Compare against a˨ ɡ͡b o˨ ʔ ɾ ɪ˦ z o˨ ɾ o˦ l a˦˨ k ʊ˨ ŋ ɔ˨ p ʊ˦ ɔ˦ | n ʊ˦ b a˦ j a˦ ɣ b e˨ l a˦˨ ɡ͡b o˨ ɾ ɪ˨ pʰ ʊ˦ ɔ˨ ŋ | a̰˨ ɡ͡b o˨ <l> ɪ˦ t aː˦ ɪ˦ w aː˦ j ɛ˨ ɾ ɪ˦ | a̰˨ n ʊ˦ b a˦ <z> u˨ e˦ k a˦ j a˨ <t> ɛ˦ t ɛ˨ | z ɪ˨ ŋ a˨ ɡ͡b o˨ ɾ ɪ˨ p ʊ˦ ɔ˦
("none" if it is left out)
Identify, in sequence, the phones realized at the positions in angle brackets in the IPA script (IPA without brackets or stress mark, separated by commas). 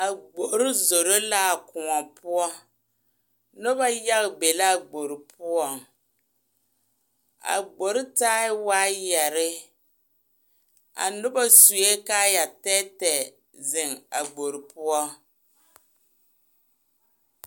ɾ, s, t